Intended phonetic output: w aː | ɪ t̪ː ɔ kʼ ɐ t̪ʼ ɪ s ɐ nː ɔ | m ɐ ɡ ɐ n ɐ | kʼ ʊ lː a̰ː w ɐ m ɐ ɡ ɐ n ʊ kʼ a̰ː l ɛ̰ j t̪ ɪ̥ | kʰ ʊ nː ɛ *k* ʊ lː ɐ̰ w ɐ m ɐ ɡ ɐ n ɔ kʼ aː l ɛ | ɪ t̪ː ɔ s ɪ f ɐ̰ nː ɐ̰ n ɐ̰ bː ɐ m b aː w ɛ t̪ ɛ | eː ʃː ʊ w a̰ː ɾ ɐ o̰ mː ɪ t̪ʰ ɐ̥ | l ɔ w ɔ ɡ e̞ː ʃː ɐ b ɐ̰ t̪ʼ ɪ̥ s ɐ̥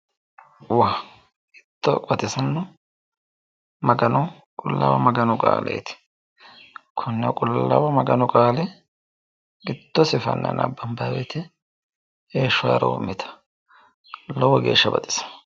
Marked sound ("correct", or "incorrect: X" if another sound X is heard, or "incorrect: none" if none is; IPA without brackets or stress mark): incorrect: kʼ